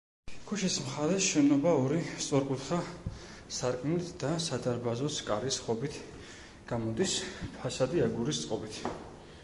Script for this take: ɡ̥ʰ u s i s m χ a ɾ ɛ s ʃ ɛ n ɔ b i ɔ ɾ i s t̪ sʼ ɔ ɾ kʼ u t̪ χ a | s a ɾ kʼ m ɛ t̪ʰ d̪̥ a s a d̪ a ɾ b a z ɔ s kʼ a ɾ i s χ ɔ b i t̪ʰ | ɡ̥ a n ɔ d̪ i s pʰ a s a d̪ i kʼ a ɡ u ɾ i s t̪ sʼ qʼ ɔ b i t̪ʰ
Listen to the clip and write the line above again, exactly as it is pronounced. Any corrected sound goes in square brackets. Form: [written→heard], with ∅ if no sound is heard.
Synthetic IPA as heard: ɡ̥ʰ u [s→ʃ] i s m χ a ɾ ɛ s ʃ ɛ n ɔ b [i→a] ɔ ɾ i s t̪ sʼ ɔ ɾ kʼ u t̪ χ a | s a ɾ kʼ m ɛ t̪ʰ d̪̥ a s a d̪ a ɾ b a z ɔ s kʼ a ɾ i s χ ɔ b i t̪ʰ | ɡ̥ a [n→m] ɔ d̪ i s pʰ a s a d̪ i [kʼ→∅] a ɡ u ɾ i s t̪ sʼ qʼ ɔ b i t̪ʰ